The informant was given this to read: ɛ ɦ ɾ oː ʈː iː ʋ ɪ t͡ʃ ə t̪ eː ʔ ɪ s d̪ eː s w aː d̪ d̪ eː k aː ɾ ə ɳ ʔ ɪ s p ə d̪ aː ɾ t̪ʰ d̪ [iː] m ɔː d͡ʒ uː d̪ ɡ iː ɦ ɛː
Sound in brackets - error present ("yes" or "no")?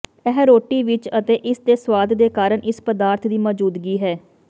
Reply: no